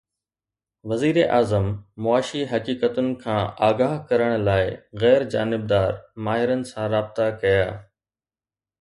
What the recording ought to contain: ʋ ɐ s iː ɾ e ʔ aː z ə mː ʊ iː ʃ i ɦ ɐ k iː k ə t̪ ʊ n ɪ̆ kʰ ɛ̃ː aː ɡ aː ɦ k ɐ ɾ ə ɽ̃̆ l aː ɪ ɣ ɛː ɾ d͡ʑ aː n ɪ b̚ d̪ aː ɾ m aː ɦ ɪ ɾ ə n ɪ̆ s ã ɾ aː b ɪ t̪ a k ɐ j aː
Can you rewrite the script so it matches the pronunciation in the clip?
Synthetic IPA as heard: ʋ ɐ z iː ɾ e ʔ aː z ə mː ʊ aː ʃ i ɦ ɐ k iː k ə t̪ ʊ n ɪ̆ kʰ ãː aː ɡ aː ɦ k ɐ ɾ ə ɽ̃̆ l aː ɪ ɣ ɛː ɾ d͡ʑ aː n ɪ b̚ d̪ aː ɾ m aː ɦ ɪ ɾ ə n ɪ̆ s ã ɾ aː b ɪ t̪ a k ɐ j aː